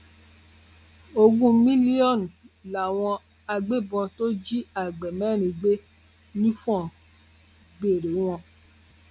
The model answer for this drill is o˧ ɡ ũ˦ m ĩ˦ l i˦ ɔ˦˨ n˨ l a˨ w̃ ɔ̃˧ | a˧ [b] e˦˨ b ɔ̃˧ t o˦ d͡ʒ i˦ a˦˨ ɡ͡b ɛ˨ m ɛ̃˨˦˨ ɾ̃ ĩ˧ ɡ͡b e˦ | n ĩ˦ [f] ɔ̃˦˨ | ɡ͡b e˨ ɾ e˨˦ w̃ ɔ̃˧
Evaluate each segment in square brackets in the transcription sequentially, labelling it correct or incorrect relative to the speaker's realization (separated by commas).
incorrect, correct